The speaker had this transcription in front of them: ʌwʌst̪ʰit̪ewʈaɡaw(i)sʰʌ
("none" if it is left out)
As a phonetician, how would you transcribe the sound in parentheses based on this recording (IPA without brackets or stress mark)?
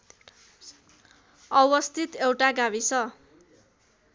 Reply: i